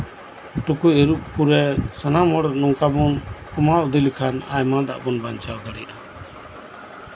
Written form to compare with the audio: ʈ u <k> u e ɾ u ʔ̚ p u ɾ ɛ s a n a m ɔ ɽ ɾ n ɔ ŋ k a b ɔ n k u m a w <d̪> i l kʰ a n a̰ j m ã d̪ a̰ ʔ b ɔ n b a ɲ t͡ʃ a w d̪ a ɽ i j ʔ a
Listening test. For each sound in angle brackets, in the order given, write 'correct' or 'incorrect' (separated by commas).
correct, correct